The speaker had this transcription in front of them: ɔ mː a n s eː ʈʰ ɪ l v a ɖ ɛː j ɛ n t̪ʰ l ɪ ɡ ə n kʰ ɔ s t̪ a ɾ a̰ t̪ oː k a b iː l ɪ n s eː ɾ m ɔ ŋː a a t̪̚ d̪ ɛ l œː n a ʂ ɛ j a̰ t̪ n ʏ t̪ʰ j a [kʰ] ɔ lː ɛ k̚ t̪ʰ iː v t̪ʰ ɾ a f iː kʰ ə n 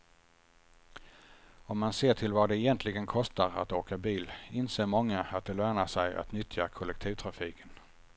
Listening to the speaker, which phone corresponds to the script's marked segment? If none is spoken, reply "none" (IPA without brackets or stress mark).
kʰ